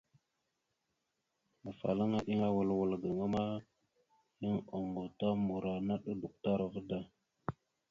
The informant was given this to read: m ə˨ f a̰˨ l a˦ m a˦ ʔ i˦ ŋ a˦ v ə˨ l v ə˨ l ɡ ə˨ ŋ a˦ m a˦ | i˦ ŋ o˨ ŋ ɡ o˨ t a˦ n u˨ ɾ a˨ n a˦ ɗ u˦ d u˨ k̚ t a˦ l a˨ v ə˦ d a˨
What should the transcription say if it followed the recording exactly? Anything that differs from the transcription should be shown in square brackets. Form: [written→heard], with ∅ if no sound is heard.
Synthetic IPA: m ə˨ f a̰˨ l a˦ [m→ŋ] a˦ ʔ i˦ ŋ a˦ [v→w] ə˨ l [v→w] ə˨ l ɡ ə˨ ŋ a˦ m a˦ | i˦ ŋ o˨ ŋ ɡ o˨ t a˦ [n→m] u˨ ɾ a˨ n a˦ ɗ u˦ d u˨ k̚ t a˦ [l→ɾ] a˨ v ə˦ d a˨